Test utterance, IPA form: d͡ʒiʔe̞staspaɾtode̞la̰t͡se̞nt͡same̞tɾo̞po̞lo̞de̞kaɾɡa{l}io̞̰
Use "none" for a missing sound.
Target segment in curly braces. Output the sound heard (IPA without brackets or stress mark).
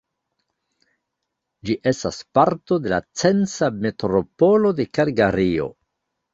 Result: ɾ